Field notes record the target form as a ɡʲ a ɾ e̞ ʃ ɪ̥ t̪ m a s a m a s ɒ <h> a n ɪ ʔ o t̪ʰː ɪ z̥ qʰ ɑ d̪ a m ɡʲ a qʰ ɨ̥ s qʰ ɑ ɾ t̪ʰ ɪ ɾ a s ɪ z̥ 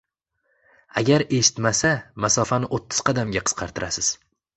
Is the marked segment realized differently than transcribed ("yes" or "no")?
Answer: yes